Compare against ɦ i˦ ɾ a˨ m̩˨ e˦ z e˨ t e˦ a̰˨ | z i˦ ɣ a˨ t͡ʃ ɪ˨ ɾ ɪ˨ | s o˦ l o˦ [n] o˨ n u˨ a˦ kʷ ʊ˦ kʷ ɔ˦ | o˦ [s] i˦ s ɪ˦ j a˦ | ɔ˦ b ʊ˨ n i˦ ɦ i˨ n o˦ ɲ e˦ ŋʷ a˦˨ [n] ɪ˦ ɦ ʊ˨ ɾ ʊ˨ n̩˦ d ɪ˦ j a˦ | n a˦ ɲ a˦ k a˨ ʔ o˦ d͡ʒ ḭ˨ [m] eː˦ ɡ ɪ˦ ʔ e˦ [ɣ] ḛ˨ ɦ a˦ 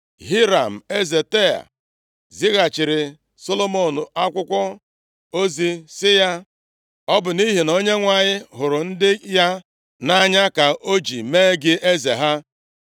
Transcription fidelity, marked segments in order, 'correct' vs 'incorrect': incorrect, incorrect, incorrect, correct, incorrect

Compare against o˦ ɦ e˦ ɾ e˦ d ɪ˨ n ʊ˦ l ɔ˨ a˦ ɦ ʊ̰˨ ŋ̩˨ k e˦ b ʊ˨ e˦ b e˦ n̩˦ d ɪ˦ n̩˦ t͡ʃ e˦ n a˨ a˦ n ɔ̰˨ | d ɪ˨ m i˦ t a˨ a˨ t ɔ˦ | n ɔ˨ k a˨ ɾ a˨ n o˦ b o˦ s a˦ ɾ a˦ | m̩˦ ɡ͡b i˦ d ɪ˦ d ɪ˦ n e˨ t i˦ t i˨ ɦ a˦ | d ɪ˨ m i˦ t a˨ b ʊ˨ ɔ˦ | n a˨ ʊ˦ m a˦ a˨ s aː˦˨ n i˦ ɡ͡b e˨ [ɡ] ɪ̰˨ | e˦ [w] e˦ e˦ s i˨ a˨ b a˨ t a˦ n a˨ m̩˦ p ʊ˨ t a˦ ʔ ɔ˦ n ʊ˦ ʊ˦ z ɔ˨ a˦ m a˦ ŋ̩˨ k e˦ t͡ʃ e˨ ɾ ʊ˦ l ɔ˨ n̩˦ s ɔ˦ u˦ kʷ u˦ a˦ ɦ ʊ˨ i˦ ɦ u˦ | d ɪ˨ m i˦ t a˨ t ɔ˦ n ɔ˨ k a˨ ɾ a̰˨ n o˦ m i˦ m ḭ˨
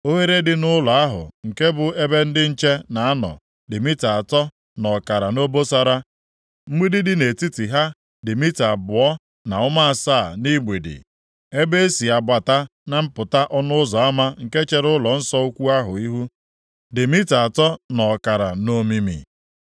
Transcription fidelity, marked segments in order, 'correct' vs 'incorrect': incorrect, incorrect

